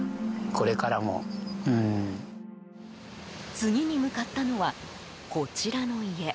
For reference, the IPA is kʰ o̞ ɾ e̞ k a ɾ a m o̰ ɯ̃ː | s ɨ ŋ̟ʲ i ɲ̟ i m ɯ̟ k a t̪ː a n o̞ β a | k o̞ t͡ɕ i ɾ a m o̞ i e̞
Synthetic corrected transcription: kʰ o̞ ɾ e̞ k a ɾ a m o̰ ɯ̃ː | t͡s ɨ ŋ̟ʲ i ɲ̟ i m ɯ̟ k a t̪ː a n o̞ β a | k o̞ t͡ɕ i ɾ a n o̞ i e̞

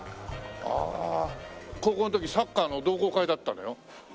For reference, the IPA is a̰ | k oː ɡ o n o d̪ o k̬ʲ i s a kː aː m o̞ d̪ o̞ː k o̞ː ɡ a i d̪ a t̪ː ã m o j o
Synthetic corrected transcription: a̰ | k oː k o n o t̪ o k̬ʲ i s a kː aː n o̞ d̪ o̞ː k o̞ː k a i d̪ a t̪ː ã n o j o

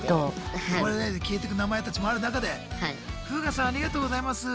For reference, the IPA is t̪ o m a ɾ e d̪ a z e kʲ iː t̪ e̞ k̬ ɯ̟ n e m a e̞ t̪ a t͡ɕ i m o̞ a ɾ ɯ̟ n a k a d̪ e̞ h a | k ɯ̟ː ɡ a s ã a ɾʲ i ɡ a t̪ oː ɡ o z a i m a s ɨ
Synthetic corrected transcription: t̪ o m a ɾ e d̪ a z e kʲ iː t̪ e̞ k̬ ɯ̟ n a m a e̞ t̪ a t͡ɕ i m o̞ a ɾ ɯ̟ n a k a d̪ e̞ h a | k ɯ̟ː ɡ a s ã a ɾʲ i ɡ a t̪ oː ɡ o z a i m a s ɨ

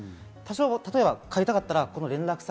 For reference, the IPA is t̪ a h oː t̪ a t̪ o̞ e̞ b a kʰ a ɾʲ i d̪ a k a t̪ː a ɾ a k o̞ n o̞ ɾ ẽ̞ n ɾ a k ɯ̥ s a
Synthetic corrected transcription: t̪ a ɕ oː t̪ a t̪ o̞ e̞ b a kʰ a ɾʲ i t̪ a k a t̪ː a ɾ a k o̞ n o̞ ɾ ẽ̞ n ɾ a k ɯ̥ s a

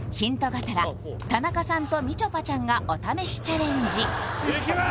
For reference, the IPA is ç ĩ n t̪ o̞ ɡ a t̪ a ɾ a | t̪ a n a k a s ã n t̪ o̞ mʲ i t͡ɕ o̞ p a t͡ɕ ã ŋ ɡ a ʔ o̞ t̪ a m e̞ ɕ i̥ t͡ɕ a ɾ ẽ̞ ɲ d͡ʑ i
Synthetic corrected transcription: ç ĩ n t̪ o̞ ɡ a t̪ a ɾ a | t̪ a n a k a s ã n t̪ o̞ mʲ i t͡ɕ o̞ p a t͡ɕ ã ŋ ɡ a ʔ o̞ t̪ a m e̞ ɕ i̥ t͡ɕ a ɾ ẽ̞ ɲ d͡ʑ i

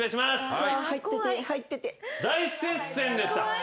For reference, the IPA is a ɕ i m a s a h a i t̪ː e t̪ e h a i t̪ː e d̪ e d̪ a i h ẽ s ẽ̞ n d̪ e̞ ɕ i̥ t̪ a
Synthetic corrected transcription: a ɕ i m a s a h a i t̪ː e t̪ e h a i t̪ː e t̪ e d̪ a i s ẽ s ẽ̞ n d̪ e̞ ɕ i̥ t̪ a

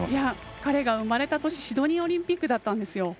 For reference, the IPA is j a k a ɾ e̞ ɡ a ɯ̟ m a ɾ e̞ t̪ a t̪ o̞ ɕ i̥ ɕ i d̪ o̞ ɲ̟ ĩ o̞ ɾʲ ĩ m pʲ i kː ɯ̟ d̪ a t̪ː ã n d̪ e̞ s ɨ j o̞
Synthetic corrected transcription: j a k a ɾ e̞ ɡ a ɯ̟ m a ɾ e̞ t̪ a t̪ o̞ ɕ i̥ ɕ i d̪ o̞ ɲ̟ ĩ o̞ ɾʲ ĩ m pʲ i kː ɯ̟ d̪ a t̪ː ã n d̪ e̞ s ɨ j o̞

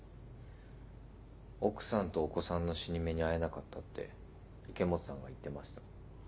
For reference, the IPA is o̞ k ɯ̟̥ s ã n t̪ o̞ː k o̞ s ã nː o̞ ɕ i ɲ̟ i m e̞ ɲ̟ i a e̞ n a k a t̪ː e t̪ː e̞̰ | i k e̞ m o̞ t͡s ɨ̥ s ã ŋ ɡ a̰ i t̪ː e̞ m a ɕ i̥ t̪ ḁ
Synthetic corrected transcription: o̞ k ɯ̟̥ s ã n t̪ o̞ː k o̞ s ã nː o̞ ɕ i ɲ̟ i m e̞ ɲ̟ i a e̞ n a k a t̪ː a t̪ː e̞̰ | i k e̞ m o̞ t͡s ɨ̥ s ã ŋ ɡ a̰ i t̪ː e̞ m a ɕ i̥ t̪ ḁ

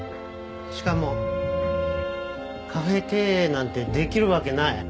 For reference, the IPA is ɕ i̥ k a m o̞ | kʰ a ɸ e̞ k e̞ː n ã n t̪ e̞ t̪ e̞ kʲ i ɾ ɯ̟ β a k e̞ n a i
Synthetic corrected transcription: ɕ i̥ k a m o̞ | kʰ a ɸ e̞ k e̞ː n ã n t̪ e̞ d̪ e̞ kʲ i ɾ ɯ̟ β a k e̞ n a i

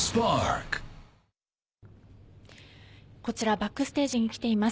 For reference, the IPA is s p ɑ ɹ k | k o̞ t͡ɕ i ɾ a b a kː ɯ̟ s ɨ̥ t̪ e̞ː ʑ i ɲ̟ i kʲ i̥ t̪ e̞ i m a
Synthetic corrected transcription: s p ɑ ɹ k | k o̞ t͡ɕ i ɾ a b a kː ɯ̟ s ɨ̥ t̪ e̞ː ʑ i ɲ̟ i kʲ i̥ t̪ e̞ i m a

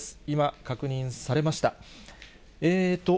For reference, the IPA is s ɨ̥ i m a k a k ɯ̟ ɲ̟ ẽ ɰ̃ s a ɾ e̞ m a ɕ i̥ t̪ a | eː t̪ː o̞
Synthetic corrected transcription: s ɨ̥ i m a k a k ɯ̟ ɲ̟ ĩ ɰ̃ s a ɾ e̞ m a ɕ i̥ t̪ a | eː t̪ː o̞

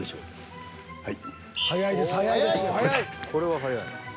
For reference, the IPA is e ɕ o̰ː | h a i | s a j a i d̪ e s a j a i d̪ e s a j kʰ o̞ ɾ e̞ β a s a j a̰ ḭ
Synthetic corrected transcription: e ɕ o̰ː | h a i | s a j a i d̪ e s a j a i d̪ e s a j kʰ o̞ ɾ e̞ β a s a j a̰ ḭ

